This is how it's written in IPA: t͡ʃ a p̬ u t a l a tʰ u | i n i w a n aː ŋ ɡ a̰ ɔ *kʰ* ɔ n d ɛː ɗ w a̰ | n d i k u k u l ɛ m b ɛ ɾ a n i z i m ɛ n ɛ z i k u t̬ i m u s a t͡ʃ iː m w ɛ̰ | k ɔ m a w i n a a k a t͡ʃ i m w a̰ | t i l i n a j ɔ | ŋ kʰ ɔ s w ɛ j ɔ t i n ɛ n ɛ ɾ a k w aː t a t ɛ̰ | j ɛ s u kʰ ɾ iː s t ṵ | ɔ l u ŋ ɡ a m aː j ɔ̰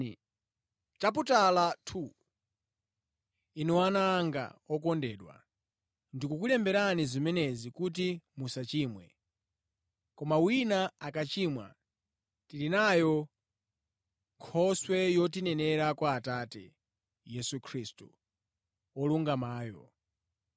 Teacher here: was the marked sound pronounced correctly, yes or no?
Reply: no